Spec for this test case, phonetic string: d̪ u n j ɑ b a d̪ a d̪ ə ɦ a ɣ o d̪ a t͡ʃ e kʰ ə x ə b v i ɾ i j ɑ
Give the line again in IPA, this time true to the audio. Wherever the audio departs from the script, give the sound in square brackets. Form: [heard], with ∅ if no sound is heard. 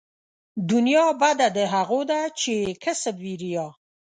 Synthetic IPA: d̪ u n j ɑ b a d̪ a d̪ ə ɦ a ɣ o d̪ a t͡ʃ e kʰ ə [s] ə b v i ɾ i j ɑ